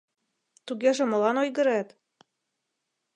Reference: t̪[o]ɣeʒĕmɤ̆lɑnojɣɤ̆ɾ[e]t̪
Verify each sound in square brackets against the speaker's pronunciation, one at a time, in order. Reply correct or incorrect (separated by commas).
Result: incorrect, incorrect